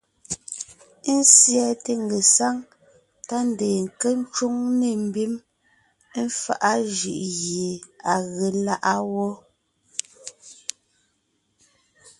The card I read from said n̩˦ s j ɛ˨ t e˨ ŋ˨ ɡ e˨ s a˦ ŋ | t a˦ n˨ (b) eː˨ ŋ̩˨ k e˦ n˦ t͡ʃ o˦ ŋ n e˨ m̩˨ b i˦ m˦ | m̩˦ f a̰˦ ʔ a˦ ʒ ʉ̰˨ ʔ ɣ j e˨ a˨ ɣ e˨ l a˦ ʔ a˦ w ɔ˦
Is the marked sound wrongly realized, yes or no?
yes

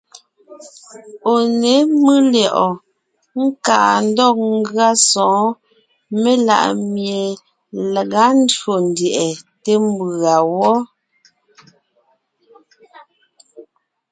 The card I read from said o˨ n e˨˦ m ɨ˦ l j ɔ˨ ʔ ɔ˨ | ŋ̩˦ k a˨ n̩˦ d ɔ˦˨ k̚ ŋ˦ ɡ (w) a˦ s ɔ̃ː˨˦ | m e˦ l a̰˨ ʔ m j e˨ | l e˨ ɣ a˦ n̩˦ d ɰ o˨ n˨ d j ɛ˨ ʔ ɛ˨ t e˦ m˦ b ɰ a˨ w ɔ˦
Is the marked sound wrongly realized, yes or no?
yes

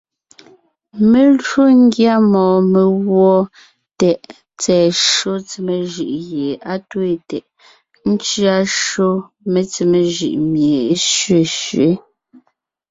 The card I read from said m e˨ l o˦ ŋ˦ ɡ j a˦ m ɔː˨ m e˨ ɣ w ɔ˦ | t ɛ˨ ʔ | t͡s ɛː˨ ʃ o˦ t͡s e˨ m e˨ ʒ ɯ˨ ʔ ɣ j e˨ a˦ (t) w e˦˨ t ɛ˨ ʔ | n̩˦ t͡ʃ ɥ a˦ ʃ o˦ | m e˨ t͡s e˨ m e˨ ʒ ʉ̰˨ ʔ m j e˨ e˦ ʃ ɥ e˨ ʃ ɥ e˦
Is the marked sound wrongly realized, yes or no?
no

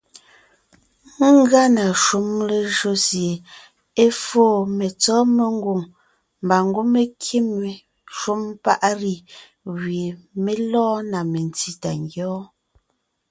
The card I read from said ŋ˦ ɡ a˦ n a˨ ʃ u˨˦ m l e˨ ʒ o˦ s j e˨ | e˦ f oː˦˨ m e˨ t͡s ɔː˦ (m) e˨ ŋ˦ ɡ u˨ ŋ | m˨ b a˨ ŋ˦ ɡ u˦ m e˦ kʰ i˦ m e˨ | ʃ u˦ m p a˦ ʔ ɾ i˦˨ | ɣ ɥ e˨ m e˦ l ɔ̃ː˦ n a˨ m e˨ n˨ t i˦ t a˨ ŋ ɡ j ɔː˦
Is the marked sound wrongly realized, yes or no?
no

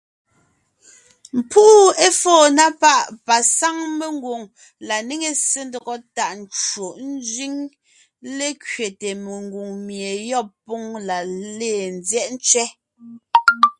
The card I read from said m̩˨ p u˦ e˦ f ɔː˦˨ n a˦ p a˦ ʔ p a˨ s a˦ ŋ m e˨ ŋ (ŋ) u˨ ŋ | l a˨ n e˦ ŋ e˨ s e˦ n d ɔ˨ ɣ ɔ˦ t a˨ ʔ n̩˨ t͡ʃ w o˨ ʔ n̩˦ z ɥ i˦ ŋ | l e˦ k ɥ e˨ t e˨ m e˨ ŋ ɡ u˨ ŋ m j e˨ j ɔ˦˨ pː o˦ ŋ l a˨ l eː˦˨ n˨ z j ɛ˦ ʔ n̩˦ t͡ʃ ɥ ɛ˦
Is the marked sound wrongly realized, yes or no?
yes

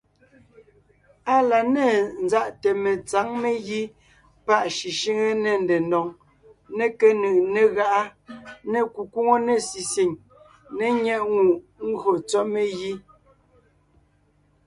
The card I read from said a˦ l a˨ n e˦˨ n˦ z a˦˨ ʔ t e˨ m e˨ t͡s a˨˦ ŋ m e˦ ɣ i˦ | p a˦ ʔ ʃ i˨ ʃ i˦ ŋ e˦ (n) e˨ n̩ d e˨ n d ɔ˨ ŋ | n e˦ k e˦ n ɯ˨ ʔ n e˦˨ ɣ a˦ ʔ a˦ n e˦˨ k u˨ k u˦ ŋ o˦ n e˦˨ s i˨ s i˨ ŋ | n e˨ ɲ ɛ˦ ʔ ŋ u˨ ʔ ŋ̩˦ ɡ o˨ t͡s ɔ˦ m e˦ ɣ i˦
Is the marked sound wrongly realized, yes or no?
no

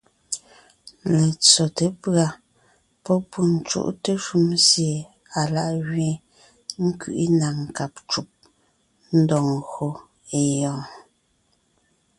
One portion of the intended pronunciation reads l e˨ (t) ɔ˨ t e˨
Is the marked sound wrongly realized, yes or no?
yes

